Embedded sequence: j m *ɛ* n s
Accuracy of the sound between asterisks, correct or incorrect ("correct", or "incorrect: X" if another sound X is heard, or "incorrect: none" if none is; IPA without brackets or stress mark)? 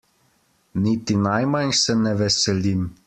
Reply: incorrect: a